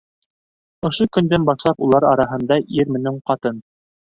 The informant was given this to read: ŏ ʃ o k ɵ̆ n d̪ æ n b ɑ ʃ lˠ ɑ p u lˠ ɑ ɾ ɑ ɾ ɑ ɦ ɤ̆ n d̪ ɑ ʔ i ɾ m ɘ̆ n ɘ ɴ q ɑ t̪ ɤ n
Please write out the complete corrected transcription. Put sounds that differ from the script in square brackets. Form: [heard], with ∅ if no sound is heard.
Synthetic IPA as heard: ŏ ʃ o k ɵ̆ n d̪ æ n b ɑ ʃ lˠ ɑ p u lˠ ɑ ɾ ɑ ɾ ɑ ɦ ɤ̆ n d̪ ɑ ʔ i ɾ m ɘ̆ n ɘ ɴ q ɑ t̪ ɤ n